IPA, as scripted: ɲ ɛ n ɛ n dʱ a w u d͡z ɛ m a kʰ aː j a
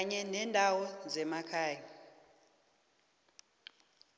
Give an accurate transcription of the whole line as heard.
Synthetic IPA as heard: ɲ ɛ n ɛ n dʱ a w ɔ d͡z ɛ m a kʰ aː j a

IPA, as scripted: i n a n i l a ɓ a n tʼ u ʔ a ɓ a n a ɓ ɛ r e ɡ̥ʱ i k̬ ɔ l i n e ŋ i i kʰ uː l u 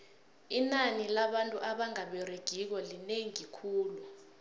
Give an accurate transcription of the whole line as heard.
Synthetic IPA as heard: i n a n i l a ɓ a n tʼ u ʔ a ɓ a ŋ a ɓ ɛ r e ɡ̥ʱ i k̬ ɔ l i n e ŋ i i kʰ uː l u

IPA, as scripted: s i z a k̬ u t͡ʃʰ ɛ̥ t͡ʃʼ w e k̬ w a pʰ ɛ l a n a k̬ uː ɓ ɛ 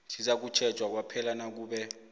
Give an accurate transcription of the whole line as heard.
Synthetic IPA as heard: s i z a k̬ u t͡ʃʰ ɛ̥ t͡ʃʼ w a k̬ w a pʰ ɛ l a n a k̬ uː ɓ ɛ

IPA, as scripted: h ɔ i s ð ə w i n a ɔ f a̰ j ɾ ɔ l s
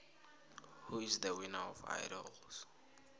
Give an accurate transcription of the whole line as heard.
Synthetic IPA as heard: h u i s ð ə w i n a ɔ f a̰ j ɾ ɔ l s

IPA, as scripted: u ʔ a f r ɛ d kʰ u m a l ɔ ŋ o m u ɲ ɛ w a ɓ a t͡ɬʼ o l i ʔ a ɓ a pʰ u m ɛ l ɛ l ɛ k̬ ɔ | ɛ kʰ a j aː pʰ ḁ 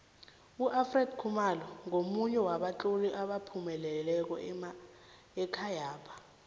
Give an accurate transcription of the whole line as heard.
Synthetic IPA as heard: u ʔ a f r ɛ d kʰ u m a l ɔ ŋ o m u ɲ ɛ w a ɓ a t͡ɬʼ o l i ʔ a ɓ a pʰ u m ɛ l ɛ l ɛ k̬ ɔ | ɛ kʰ a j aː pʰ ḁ

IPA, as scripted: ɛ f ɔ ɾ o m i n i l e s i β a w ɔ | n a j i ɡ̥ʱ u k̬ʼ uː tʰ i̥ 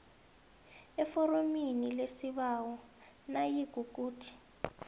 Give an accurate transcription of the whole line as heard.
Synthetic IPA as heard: ɛ f ɔ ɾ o m i n i l e s i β a w ɔ | n a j i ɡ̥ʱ u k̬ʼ uː tʰ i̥

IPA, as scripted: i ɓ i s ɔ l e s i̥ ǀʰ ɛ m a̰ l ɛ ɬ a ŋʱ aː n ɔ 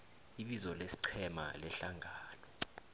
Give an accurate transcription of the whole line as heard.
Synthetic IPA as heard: i ɓ i z ɔ l e s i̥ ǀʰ ɛ m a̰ l ɛ ɬ a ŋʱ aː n ɔ

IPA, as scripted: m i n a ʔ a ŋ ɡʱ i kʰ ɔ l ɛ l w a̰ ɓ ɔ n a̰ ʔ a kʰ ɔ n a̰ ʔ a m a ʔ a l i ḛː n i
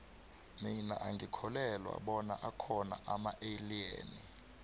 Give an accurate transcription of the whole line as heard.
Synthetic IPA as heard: m i n a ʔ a ŋ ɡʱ i kʰ ɔ l ɛ l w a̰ ɓ ɔ n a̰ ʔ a kʰ ɔ n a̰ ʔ a m a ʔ e l i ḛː n i

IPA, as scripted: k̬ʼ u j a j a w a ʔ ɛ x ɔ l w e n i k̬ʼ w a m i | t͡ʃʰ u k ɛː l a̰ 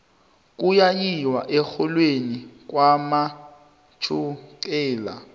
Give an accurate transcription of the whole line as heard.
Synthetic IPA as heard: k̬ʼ u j a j i w a ʔ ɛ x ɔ l w e n i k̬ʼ w a m a | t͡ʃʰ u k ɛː l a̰

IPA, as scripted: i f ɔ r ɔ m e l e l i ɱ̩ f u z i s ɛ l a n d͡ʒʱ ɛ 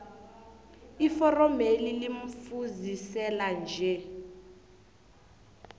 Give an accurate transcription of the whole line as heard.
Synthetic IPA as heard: i f ɔ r ɔ m e l i l i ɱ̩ f u z i s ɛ l a n d͡ʒʱ ɛ

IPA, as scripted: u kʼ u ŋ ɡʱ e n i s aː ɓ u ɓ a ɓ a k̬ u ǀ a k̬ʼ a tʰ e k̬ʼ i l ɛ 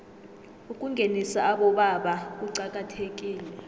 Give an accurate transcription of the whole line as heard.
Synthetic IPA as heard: u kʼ u ŋ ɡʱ e n i s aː ɓ ɔ ɓ a ɓ a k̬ u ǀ a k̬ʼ a tʰ e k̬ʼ iː l ɛ

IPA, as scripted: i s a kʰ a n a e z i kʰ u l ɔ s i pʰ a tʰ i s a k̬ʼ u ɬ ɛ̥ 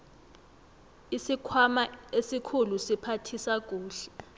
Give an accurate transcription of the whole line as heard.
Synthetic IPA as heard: i s i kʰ a m a e s i kʰ u l u s i pʰ a tʰ i s a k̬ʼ uː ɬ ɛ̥

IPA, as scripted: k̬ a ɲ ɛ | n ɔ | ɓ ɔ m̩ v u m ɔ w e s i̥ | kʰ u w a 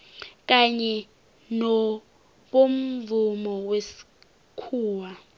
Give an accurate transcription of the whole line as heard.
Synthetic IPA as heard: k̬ a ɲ ɛ | n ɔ | ɓ o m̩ v u m ɔ w e s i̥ | kʰ uː w a

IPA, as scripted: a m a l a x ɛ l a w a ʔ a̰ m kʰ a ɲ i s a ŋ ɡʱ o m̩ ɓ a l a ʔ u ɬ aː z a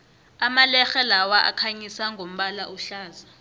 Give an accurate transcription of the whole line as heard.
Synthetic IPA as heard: a m a l ɛ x ɛ l a w a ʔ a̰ kʰ a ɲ i s a ŋ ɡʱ o m̩ ɓ a l a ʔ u ɬ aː z a

